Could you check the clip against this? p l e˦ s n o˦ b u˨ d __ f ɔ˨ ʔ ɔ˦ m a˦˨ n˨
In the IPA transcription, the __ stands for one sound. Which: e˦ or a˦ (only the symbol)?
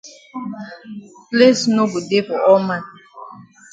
e˦